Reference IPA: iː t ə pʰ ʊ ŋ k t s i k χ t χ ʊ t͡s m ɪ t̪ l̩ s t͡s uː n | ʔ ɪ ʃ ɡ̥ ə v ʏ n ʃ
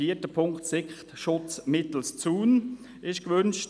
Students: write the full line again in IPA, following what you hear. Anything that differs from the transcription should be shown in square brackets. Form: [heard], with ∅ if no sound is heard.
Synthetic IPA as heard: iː t ə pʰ ʊ ŋ k t s [ɪ] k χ t [ʃ] ʊ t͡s m ɪ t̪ l̩ s t͡s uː n | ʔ ɪ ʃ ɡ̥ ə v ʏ n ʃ